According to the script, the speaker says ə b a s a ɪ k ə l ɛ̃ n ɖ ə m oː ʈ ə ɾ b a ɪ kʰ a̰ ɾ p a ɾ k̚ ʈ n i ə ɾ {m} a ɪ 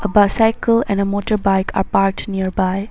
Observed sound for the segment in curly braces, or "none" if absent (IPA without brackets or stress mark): b